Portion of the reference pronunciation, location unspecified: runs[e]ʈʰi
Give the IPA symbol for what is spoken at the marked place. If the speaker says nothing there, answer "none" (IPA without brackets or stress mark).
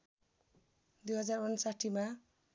a